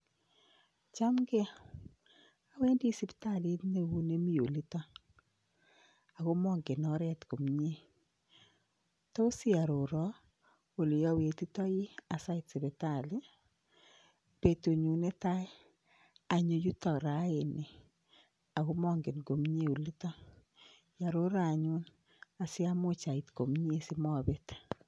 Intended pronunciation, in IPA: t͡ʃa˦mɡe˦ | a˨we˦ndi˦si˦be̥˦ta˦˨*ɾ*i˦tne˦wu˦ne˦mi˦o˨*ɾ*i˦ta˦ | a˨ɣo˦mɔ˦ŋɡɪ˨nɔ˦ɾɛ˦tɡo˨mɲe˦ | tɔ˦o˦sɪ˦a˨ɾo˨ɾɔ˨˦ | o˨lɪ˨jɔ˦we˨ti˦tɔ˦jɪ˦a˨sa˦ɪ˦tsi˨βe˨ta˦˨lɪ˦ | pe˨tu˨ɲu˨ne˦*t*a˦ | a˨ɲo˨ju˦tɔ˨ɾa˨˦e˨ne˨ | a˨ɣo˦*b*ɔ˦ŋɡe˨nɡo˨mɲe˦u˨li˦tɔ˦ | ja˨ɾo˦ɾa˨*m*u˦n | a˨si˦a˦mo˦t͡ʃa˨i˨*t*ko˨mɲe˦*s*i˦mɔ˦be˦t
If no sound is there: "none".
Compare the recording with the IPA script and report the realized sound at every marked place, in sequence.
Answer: l, l, t, m, ɲ, t, s

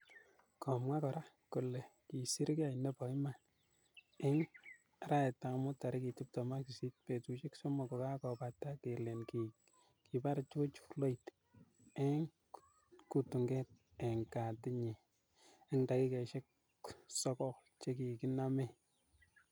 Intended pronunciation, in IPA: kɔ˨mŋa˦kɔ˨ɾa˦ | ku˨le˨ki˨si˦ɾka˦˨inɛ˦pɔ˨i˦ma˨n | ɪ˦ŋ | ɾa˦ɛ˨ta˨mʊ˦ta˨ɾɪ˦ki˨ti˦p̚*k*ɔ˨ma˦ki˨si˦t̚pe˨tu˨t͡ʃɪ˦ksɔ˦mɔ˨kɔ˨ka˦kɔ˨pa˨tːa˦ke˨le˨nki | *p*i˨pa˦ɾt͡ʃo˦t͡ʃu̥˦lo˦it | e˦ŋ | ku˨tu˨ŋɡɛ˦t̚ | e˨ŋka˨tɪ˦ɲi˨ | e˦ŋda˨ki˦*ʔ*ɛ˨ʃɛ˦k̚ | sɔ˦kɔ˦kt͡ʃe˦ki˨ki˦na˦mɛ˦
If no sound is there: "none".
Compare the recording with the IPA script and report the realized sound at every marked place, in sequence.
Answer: t, k, k

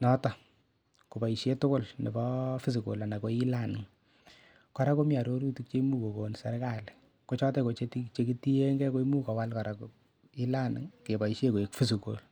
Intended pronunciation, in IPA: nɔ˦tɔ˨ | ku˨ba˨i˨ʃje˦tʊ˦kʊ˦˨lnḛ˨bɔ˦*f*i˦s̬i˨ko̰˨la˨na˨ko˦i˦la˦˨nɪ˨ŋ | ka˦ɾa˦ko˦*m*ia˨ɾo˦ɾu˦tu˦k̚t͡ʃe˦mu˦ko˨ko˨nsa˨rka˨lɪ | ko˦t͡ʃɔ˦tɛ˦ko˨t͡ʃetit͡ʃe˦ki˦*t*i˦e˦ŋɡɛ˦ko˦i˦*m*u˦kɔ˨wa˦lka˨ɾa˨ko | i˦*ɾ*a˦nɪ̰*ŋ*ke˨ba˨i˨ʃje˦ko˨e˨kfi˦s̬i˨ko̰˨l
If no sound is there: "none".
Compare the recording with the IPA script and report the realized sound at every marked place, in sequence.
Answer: f, m, t, m, l, ŋ

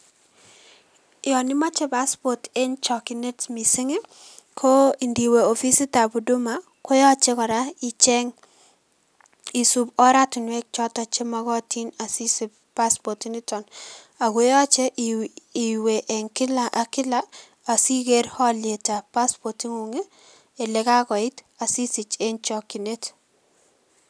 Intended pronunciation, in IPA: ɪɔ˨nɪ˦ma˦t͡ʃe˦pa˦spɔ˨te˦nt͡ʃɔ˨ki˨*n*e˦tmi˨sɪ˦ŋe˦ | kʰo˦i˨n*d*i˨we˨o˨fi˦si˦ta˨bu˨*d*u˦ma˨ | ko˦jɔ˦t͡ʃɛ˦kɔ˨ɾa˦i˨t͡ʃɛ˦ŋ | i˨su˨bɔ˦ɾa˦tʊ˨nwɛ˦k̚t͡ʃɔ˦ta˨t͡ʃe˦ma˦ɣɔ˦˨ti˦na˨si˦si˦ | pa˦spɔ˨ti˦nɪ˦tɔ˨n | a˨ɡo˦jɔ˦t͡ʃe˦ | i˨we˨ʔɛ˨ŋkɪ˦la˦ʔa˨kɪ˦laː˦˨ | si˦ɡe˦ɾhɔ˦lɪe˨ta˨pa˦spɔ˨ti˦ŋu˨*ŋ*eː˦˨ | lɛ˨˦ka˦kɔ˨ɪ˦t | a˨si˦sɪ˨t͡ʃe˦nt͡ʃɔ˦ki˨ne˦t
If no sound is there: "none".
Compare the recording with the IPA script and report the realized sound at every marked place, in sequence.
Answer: n, d, d, ŋ

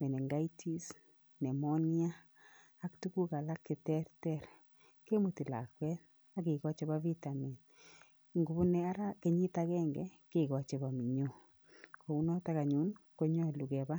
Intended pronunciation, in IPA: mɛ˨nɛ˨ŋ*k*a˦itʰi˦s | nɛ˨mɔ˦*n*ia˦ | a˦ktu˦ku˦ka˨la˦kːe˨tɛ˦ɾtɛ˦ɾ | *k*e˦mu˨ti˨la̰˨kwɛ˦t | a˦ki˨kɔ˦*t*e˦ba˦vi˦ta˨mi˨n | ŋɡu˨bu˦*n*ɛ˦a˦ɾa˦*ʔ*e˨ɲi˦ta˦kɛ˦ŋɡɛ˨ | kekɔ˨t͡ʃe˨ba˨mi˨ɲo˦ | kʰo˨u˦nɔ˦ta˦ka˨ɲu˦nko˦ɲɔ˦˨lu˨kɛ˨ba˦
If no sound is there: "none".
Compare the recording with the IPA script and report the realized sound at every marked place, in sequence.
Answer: ɡ, n, k, t͡ʃ, n, k

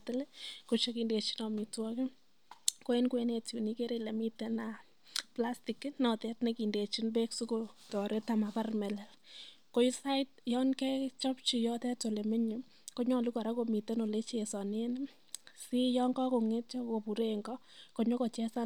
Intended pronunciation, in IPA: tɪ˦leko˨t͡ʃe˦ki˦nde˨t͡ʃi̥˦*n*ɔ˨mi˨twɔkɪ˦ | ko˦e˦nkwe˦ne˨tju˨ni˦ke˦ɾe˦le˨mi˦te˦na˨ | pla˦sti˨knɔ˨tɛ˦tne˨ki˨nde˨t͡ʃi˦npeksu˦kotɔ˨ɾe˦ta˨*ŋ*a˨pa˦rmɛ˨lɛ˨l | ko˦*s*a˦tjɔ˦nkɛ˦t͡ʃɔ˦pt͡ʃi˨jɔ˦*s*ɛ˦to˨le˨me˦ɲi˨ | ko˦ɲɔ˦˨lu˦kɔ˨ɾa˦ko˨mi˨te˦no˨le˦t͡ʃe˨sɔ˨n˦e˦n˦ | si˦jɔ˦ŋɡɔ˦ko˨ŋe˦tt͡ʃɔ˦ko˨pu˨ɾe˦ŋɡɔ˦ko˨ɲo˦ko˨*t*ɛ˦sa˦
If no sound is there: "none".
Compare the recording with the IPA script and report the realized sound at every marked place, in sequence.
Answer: n, m, s, t, t͡ʃ

